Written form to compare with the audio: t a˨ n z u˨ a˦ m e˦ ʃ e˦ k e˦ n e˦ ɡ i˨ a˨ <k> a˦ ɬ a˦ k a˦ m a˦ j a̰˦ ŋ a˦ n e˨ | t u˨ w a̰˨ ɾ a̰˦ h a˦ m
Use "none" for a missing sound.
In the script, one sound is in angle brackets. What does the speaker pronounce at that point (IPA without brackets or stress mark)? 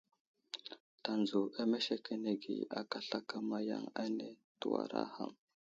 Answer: k